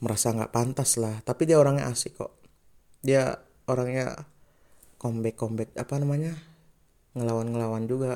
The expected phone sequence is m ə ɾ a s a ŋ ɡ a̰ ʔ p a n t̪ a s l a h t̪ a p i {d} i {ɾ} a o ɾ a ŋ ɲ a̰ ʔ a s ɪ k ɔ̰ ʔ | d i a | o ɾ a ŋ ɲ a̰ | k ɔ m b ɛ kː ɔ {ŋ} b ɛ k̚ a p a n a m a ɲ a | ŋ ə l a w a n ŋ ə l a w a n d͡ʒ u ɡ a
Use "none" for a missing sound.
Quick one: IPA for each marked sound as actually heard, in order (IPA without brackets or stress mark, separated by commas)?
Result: d, none, m